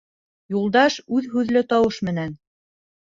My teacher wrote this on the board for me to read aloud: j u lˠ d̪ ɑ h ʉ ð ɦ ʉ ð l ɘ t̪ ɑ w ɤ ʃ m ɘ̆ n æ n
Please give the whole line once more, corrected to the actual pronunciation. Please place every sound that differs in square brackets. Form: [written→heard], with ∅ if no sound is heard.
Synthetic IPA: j u lˠ d̪ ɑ [h→ʃ] ʉ ð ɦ ʉ ð l ɘ t̪ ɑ w ɤ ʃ m ɘ̆ n æ n